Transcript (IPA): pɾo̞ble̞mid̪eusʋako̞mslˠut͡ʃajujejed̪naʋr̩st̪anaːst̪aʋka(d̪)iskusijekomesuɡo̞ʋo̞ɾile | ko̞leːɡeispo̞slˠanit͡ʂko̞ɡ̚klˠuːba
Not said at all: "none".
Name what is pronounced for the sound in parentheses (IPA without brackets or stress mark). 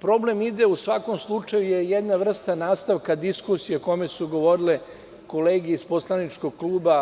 d̪